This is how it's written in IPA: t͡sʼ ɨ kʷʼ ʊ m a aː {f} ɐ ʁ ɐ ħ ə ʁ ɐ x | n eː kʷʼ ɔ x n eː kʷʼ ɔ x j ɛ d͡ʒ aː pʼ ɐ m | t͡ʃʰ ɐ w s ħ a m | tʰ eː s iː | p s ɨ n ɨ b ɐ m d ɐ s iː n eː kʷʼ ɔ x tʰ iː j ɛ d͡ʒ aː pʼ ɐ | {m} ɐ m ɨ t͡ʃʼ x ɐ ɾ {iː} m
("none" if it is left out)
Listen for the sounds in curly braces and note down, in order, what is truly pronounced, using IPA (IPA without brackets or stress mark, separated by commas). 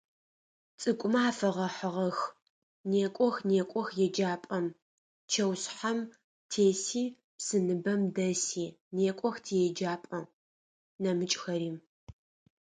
f, n, iː